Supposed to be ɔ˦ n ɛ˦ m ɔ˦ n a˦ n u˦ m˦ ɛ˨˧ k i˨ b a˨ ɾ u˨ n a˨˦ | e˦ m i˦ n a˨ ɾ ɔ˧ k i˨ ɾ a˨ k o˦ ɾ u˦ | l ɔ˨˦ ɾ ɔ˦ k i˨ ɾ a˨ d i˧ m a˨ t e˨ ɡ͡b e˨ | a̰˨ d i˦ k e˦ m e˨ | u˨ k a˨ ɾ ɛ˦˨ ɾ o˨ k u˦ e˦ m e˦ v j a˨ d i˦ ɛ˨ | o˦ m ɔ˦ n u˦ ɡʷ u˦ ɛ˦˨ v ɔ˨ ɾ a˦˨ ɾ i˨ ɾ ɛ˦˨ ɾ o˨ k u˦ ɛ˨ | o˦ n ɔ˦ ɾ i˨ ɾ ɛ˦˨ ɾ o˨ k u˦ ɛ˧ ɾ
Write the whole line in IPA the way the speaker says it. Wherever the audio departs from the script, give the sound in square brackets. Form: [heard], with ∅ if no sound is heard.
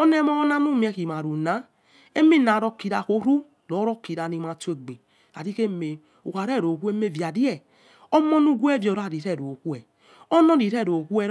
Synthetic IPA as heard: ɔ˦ n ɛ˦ m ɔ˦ n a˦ n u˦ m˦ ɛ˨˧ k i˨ [m] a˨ ɾ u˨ n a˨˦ | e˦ m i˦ n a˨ ɾ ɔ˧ k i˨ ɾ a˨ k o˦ ɾ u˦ | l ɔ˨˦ ɾ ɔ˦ k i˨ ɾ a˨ [n] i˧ m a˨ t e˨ ɡ͡b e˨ | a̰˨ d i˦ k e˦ m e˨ | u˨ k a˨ ɾ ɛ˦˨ ɾ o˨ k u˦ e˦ m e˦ v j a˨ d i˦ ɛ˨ | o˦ m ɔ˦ n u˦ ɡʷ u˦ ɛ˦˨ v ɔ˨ ɾ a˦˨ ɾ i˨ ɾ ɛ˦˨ ɾ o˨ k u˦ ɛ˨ | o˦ n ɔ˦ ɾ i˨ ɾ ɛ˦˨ ɾ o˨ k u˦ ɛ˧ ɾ